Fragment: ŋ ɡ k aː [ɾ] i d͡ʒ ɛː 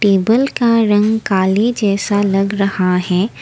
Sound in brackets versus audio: incorrect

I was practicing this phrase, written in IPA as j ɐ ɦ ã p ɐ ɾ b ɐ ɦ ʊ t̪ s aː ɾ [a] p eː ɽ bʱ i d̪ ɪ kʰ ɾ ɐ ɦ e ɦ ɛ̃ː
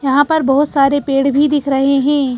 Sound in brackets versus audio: incorrect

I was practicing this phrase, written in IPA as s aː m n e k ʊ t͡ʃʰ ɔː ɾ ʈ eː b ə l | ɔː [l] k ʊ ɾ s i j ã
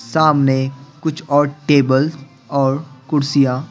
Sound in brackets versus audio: incorrect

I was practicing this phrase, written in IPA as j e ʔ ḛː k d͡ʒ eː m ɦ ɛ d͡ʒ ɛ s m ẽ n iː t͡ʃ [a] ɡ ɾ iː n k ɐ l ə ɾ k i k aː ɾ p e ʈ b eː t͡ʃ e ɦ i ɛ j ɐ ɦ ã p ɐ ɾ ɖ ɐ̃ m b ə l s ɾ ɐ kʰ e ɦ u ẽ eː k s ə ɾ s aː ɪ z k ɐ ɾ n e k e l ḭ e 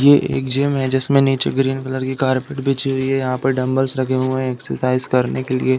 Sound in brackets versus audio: incorrect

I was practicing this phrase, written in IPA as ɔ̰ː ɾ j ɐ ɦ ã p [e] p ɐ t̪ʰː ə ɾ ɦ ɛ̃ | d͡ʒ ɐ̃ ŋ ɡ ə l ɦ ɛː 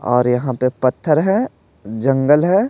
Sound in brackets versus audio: correct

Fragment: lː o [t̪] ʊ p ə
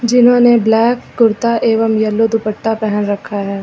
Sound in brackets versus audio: incorrect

